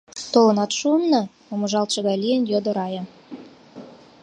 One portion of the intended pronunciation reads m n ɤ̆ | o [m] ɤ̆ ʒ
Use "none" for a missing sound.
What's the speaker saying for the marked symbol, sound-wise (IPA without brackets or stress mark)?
m